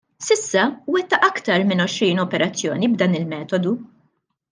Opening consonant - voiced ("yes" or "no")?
no